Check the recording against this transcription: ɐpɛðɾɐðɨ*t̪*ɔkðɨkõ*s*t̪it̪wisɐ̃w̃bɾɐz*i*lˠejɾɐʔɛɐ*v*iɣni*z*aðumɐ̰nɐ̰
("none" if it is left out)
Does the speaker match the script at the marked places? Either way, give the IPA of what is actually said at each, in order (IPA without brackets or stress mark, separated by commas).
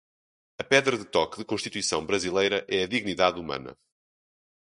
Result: t̪, ʃ, i, ð, ð